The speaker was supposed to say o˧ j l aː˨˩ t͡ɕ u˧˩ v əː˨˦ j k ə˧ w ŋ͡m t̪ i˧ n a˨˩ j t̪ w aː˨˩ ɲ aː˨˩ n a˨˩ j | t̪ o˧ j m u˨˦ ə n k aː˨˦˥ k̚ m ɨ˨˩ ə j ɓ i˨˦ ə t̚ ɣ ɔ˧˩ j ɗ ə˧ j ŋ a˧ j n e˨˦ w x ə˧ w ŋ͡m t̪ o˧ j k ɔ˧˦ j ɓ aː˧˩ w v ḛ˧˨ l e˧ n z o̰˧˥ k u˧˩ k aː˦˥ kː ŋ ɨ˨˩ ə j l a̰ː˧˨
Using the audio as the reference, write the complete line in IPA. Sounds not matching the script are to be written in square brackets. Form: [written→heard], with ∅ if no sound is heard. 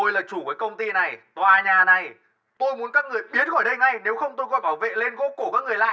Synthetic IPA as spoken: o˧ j l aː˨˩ t͡ɕ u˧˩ v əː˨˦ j k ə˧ w ŋ͡m t̪ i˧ n a˨˩ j t̪ w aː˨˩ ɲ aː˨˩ n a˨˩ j | t̪ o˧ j m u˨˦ ə n k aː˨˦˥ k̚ [m→ŋ] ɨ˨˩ ə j ɓ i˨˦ ə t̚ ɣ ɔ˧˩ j ɗ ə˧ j ŋ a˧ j n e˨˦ w x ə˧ w ŋ͡m t̪ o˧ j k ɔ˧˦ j ɓ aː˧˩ w v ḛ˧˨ l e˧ n [z→ɣ] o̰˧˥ k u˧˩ k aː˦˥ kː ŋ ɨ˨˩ ə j l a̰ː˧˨